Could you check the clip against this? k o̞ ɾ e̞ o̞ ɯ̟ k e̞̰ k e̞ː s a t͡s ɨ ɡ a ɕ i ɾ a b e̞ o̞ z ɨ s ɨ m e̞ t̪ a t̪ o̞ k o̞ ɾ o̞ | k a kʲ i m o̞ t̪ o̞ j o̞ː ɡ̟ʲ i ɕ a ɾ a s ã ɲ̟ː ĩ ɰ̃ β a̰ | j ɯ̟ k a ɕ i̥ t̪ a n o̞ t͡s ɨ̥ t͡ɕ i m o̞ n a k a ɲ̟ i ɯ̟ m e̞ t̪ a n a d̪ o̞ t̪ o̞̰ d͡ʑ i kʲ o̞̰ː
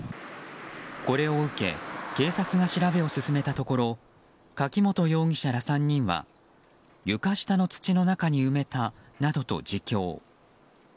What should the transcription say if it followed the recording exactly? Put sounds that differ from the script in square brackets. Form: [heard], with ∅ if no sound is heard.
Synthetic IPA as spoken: k o̞ ɾ e̞ o̞ ɯ̟ k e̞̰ k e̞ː s a t͡s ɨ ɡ a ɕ i ɾ a b e̞ o̞ [s] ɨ s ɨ m e̞ t̪ a t̪ o̞ k o̞ ɾ o̞ | k a kʲ i m o̞ t̪ o̞ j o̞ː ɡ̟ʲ i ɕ a ɾ a s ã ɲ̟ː ĩ ɰ̃ β a̰ | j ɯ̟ k a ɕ i̥ t̪ a n o̞ t͡s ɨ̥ t͡ɕ i [n] o̞ n a k a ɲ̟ i ɯ̟ m e̞ t̪ a n a d̪ o̞ t̪ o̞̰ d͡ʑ i kʲ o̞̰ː